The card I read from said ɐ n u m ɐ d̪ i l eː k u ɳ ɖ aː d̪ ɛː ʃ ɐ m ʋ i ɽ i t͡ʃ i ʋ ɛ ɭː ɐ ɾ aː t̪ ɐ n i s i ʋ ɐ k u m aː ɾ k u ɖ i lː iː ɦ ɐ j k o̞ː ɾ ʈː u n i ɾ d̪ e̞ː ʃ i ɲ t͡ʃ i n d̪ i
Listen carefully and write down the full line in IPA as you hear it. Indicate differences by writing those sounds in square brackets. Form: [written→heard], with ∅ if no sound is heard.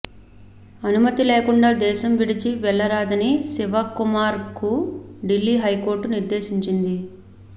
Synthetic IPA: ɐ n u m ɐ [d̪→t̪] i l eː k u ɳ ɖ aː d̪ ɛː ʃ ɐ m ʋ i ɽ i t͡ʃ i ʋ ɛ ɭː ɐ ɾ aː [t̪→d̪] ɐ n i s i ʋ ɐ k u m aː ɾ k u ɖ i lː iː ɦ ɐ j k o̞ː ɾ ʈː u n i ɾ d̪ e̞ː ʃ i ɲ t͡ʃ i n d̪ i